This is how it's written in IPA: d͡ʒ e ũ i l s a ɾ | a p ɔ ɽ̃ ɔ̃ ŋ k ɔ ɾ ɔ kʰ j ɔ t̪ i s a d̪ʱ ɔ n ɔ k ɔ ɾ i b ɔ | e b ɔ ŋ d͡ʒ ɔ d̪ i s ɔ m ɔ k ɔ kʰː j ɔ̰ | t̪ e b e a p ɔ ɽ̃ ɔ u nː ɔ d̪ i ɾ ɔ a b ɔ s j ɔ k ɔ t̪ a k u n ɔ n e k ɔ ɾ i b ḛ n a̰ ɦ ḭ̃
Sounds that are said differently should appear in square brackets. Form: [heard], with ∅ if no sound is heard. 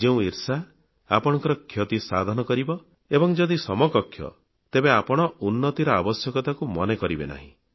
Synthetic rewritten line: d͡ʒ e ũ i [ɾ] s a [∅] | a p ɔ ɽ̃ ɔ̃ ŋ k ɔ ɾ ɔ kʰ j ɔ t̪ i s a d̪ʱ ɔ n ɔ k ɔ ɾ i b ɔ | e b ɔ ŋ d͡ʒ ɔ d̪ i s ɔ m ɔ k ɔ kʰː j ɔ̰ | t̪ e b e a p ɔ ɽ̃ ɔ u nː ɔ [t̪] i ɾ ɔ a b ɔ s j ɔ k ɔ t̪ a k u [m] ɔ n e k ɔ ɾ i b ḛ n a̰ ɦ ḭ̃

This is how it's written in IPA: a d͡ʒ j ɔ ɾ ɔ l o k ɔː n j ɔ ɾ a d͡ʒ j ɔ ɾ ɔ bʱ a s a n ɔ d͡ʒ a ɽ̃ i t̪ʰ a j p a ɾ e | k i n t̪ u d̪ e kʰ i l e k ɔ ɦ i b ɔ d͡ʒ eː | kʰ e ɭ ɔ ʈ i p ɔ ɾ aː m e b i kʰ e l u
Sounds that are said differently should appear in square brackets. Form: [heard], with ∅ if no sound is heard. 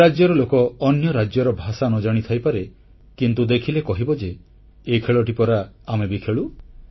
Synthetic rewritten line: a d͡ʒ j ɔ ɾ ɔ l o k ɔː n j ɔ ɾ a d͡ʒ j ɔ ɾ ɔ bʱ a s a n ɔ d͡ʒ a ɽ̃ i t̪ʰ a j p a ɾ e | k i n t̪ u d̪ e kʰ i l e k ɔ ɦ i b ɔ d͡ʒ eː | kʰ e ɭ ɔ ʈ i p ɔ ɾ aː m e b i kʰ e [ɭ] u

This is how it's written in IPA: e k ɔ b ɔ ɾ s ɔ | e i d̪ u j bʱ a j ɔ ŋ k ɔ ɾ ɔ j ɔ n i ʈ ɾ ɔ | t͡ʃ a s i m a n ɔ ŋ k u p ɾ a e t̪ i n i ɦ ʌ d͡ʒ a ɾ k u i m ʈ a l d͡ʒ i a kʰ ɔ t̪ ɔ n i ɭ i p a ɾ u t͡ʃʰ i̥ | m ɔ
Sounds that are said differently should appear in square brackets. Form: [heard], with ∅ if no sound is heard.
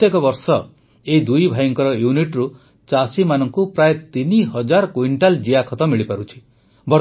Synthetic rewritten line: e k ɔ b ɔ ɾ s ɔ | e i d̪ u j bʱ a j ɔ ŋ k ɔ ɾ ɔ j [u] n i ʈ ɾ [u] | t͡ʃ a s i m a n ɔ ŋ k u p ɾ a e t̪ i n i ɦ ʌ d͡ʒ a ɾ k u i [ɳ] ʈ a l d͡ʒ i a kʰ ɔ t̪ ɔ [m] i ɭ i p a ɾ u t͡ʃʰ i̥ | [b] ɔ

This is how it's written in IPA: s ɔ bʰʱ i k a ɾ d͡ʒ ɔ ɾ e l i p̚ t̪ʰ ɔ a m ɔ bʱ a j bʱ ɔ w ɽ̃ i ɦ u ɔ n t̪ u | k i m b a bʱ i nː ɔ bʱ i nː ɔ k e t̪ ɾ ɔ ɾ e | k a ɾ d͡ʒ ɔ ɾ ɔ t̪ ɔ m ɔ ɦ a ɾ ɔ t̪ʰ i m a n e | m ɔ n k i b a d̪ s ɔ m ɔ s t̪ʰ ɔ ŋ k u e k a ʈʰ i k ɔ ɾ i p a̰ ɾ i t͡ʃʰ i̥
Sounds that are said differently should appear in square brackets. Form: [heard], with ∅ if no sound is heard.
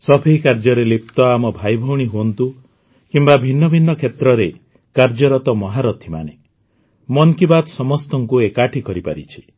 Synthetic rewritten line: s ɔ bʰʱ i k a ɾ d͡ʒ ɔ ɾ e l i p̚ [t̪] ɔ a m ɔ bʱ a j bʱ ɔ w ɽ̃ i ɦ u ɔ n t̪ u | k i m b a bʱ i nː ɔ bʱ i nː ɔ [kʰ] e t̪ ɾ ɔ ɾ e | k a ɾ d͡ʒ ɔ ɾ ɔ t̪ ɔ m ɔ ɦ a ɾ ɔ t̪ʰ i m a n e | m ɔ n k i b a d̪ s ɔ m ɔ s [t̪] ɔ ŋ k u e k a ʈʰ i k ɔ ɾ i p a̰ ɾ i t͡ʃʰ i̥

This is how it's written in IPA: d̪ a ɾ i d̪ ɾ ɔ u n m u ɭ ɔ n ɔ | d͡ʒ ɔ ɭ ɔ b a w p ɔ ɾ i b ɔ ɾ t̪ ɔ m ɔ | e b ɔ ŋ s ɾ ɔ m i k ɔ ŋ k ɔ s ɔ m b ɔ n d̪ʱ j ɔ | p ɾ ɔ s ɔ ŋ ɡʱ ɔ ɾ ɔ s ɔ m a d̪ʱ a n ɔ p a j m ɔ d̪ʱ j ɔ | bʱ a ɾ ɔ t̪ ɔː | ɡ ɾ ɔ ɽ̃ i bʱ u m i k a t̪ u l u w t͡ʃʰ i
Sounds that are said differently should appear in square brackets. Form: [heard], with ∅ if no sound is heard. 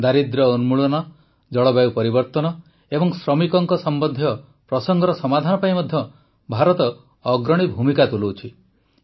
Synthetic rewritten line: d̪ a ɾ i d̪ ɾ ɔ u n m u ɭ ɔ n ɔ | d͡ʒ ɔ ɭ ɔ b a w p ɔ ɾ i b ɔ ɾ t̪ ɔ [n] ɔ | e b ɔ ŋ s ɾ ɔ m i k ɔ ŋ k ɔ s ɔ m b ɔ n d̪ʱ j ɔ | p ɾ ɔ s ɔ ŋ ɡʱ ɔ ɾ ɔ s ɔ m a d̪ʱ a n ɔ p a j m ɔ d̪ʱ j ɔ | bʱ a ɾ ɔ t̪ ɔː | ɡ ɾ ɔ ɽ̃ i bʱ u m i k a t̪ u l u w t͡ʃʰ i

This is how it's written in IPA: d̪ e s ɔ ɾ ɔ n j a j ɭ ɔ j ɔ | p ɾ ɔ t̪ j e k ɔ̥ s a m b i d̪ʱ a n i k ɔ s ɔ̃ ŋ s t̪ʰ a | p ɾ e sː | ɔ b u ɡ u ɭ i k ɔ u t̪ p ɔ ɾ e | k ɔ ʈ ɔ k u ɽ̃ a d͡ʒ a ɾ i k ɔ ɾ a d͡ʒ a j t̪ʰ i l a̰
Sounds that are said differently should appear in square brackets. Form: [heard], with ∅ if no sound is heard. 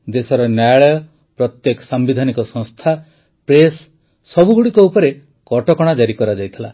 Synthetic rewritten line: d̪ e s ɔ ɾ ɔ n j a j ɭ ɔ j ɔ | p ɾ ɔ t̪ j e k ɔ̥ s a m b i d̪ʱ a n i k ɔ s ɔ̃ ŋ s t̪ʰ a | p ɾ e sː | ɔ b u ɡ u [ɽ] i k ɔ u [∅] p ɔ ɾ e | k ɔ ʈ ɔ k [ɔ] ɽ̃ a d͡ʒ a ɾ i k ɔ ɾ a d͡ʒ a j t̪ʰ i l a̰

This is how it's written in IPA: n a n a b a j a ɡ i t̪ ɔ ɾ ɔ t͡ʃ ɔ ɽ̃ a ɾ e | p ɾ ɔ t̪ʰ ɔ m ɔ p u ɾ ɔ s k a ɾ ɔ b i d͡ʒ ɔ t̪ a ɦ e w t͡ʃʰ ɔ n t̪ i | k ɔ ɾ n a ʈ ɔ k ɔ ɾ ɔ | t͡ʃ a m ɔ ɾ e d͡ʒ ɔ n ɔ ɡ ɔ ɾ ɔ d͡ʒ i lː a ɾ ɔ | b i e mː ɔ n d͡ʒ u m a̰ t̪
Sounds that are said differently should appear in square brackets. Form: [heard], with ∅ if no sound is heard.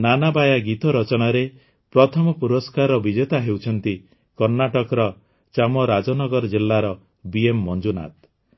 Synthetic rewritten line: n a n a b a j a ɡ i t̪ ɔ ɾ ɔ t͡ʃ ɔ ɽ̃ a ɾ e | p ɾ ɔ t̪ʰ ɔ m ɔ p u ɾ ɔ s k a ɾ ɔ b i d͡ʒ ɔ t̪ a ɦ e w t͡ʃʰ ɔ n t̪ i | k ɔ ɾ n a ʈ ɔ k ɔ ɾ ɔ | t͡ʃ a m ɔ ɾ [a] d͡ʒ ɔ n ɔ ɡ ɔ ɾ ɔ d͡ʒ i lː a ɾ ɔ | b i e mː ɔ n d͡ʒ u [n] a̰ t̪

